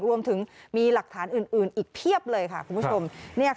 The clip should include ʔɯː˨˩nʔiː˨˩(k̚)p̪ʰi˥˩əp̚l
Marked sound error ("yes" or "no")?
no